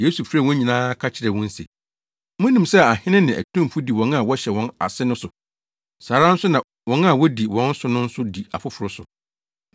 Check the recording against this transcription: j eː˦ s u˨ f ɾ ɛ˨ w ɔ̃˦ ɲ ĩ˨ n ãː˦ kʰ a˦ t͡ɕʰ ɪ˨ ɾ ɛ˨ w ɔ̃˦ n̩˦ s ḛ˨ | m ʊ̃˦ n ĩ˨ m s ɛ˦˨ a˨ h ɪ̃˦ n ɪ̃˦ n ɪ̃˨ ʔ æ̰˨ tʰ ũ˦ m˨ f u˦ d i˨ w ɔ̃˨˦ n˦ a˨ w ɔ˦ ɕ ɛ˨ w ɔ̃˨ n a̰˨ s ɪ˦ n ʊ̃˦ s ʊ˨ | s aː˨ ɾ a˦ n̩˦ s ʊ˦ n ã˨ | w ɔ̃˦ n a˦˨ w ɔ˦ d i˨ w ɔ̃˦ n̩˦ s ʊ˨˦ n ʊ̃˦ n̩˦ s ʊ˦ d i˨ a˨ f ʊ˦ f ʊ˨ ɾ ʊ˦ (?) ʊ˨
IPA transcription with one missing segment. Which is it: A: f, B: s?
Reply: B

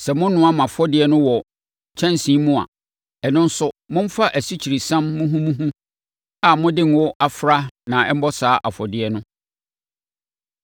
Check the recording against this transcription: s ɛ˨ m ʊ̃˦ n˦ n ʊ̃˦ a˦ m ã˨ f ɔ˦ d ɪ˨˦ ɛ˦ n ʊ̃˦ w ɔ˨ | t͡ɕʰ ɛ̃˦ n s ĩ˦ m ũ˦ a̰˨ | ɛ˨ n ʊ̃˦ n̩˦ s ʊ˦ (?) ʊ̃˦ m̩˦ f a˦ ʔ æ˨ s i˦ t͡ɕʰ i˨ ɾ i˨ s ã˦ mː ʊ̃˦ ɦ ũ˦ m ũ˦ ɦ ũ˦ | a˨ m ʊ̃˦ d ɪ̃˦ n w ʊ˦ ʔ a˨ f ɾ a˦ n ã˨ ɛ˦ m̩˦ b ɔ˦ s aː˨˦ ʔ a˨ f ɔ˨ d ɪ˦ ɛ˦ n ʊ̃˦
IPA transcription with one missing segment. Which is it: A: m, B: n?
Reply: A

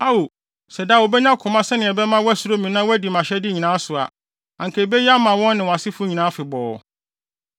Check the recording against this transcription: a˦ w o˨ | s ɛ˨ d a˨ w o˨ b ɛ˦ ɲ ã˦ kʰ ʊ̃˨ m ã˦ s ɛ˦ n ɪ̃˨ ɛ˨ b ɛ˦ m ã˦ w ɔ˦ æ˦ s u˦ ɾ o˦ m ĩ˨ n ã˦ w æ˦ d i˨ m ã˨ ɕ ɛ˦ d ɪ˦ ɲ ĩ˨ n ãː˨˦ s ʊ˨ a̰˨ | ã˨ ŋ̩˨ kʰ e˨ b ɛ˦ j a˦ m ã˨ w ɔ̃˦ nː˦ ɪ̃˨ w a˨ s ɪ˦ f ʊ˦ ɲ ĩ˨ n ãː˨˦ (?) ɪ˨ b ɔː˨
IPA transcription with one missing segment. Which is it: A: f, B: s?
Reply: A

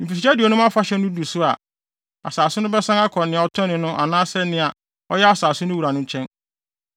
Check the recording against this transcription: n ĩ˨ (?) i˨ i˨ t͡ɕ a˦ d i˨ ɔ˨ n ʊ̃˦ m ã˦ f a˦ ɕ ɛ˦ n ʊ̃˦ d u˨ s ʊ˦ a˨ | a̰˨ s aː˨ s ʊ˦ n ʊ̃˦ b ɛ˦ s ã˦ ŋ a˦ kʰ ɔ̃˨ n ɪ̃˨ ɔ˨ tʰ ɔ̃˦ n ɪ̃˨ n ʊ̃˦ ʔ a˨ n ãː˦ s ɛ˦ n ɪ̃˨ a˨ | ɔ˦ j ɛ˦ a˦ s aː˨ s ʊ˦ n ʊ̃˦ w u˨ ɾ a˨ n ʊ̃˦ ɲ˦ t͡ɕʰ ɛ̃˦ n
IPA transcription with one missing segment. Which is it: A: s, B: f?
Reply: B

